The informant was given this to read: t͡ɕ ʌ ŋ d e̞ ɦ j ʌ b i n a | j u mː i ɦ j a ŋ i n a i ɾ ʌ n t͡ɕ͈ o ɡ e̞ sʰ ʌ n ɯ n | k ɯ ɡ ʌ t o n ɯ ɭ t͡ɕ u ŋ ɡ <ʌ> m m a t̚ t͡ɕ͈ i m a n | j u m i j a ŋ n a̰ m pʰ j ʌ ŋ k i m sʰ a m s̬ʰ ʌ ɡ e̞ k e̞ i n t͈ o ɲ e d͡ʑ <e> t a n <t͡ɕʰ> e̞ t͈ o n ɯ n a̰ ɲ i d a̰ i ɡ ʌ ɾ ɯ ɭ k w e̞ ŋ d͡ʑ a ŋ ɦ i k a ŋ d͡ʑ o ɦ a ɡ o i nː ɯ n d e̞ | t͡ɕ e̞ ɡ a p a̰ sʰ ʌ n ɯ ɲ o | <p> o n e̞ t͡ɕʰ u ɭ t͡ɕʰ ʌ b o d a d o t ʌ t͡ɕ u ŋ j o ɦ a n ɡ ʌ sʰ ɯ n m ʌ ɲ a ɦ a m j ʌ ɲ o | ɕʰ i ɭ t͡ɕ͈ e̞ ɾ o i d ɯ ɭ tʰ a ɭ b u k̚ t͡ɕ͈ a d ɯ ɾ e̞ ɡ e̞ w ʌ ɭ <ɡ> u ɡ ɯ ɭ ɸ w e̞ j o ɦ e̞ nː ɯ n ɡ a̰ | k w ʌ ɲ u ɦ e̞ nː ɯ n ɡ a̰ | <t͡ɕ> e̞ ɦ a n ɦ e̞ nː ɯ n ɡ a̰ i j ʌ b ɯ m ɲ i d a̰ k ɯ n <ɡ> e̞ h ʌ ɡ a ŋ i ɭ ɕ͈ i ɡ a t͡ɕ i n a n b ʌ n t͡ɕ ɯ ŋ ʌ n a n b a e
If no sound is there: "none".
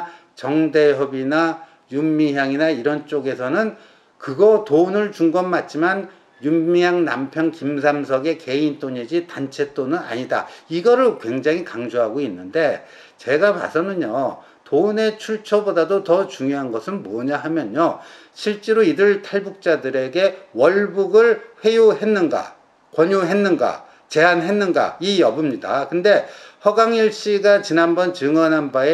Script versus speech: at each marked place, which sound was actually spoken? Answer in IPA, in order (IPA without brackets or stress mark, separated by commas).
ʌ, i, t͡ɕʰ, t, b, t͡ɕ, d